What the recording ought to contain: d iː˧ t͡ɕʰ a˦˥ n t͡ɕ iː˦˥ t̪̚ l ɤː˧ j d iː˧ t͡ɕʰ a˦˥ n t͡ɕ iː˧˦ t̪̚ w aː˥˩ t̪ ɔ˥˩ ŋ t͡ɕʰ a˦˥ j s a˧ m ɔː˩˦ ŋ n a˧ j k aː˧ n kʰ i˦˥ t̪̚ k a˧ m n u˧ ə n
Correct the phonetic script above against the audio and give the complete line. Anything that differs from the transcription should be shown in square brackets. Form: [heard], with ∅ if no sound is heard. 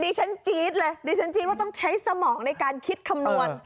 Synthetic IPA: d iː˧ t͡ɕʰ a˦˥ n t͡ɕ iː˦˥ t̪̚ l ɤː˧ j d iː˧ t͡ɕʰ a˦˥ n t͡ɕ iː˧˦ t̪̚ w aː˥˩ t̪ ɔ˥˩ ŋ t͡ɕʰ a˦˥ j s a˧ m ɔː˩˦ ŋ n a˧ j k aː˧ n kʰ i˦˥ t̪̚ [kʰ] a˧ m n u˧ ə n